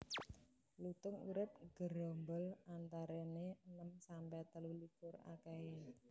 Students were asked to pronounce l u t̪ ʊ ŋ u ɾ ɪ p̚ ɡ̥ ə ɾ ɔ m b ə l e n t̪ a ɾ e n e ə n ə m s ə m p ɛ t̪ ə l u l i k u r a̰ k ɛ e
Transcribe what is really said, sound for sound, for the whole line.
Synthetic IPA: l u t̪ ʊ ŋ u ɾ ɪ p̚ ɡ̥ ə ɾ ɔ m b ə l a n t̪ a ɾ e n e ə n ə m s a m p ɛ t̪ ə l u l i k ʊ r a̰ k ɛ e